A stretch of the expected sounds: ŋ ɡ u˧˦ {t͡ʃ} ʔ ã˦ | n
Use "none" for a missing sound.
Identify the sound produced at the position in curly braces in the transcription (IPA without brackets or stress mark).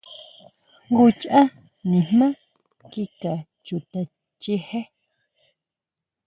t͡ʃ